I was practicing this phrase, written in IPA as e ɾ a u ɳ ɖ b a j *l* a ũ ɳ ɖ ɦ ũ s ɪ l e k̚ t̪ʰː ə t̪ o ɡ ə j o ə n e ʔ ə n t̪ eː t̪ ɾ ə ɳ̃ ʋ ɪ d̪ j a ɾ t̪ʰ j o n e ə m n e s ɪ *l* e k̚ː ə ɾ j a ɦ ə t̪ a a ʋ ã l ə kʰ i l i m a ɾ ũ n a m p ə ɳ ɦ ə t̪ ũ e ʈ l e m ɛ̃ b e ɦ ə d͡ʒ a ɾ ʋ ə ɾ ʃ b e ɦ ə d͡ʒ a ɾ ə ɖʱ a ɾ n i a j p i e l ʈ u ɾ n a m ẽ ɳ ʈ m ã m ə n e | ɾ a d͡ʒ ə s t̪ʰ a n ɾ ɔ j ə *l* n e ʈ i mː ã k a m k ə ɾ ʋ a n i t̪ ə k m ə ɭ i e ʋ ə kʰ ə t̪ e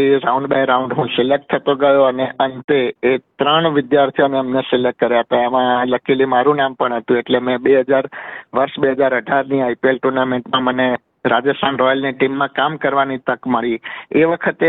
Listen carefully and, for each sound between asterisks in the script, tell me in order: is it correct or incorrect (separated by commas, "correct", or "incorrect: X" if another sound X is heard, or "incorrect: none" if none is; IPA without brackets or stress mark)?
incorrect: ɾ, correct, correct